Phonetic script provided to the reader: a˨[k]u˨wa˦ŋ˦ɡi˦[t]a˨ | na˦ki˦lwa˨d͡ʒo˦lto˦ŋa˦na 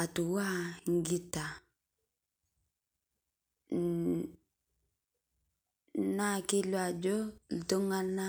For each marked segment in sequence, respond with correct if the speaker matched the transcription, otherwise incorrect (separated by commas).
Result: incorrect, correct